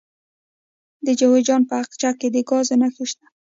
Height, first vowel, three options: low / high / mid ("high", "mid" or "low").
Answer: mid